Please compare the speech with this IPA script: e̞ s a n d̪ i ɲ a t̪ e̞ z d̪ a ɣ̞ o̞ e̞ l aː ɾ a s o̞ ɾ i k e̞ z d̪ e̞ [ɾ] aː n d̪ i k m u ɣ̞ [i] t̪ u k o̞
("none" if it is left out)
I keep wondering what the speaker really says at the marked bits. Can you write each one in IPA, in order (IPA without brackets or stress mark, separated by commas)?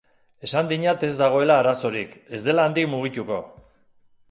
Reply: l, i